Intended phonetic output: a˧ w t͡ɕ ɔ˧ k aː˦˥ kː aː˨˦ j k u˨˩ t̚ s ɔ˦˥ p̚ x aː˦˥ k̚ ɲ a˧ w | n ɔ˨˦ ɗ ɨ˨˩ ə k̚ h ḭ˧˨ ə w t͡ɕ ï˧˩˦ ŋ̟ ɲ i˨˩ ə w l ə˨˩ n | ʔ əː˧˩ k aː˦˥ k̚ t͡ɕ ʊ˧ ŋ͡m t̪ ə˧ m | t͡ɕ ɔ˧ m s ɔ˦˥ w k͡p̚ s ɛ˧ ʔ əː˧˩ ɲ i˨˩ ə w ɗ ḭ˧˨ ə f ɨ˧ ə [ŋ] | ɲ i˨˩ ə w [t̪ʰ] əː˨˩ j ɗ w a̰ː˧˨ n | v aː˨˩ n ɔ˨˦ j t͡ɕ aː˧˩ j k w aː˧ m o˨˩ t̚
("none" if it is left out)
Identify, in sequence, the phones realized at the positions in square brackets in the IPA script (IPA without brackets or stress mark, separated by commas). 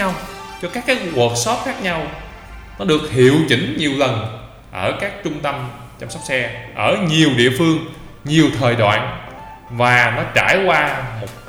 ŋ, t̪ʰ